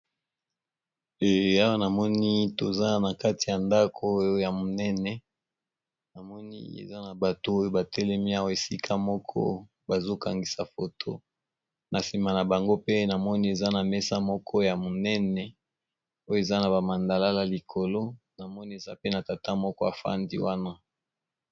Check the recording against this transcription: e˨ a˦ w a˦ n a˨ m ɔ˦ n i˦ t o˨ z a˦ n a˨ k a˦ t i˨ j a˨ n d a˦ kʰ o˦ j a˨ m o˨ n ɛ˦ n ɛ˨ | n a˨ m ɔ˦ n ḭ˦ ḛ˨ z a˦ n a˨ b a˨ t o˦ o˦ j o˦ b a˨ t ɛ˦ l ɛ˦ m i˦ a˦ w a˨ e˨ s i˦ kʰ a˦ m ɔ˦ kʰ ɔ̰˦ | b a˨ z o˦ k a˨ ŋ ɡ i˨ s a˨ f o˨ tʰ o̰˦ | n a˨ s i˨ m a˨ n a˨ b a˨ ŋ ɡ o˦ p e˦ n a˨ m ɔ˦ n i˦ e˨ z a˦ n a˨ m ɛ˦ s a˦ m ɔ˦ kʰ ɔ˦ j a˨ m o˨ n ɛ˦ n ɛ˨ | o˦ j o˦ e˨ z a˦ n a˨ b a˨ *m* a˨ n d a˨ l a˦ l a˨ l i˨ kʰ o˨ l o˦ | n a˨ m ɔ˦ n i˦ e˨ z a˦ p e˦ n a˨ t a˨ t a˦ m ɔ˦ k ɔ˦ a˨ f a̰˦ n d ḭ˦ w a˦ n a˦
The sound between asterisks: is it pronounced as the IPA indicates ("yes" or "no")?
yes